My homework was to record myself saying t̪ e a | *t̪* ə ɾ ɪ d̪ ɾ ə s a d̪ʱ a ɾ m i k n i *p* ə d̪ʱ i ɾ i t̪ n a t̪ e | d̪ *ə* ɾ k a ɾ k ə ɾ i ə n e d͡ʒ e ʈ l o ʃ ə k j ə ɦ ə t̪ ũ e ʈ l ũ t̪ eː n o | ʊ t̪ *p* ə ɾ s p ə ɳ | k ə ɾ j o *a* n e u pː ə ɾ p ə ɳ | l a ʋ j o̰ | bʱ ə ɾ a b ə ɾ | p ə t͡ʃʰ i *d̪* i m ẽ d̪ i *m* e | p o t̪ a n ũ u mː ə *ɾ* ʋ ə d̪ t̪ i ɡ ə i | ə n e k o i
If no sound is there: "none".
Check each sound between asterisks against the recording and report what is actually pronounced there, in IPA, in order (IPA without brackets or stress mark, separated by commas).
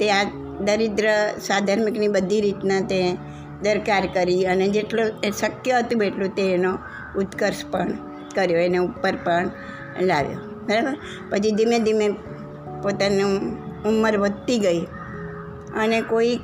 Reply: d̪, b, ə, k, e, d̪, m, ɾ